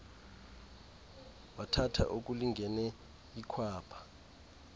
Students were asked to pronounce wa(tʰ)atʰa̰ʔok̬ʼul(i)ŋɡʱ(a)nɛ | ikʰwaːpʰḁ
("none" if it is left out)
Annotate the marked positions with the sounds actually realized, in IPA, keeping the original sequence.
tʰ, i, ɛ

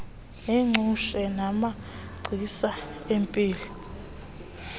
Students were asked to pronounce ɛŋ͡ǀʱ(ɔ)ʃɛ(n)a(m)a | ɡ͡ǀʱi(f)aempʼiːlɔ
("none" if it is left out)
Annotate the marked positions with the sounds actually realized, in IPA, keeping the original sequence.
u, n, m, s

